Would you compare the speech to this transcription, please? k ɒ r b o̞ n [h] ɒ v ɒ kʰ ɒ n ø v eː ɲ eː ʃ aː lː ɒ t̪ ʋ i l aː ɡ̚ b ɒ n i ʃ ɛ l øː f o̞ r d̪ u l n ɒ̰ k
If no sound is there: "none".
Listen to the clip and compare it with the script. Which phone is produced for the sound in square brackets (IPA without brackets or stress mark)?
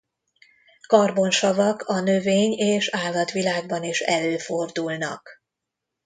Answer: ʃ